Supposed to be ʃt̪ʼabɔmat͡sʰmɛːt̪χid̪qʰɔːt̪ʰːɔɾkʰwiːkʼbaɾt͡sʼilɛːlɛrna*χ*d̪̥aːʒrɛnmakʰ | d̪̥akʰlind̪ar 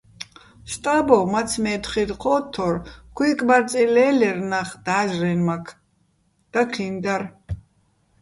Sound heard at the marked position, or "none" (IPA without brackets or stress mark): χ